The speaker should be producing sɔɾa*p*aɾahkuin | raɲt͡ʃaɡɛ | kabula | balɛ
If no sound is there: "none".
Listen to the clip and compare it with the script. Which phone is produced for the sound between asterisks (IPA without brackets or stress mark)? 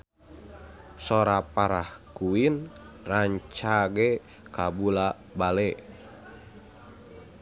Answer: p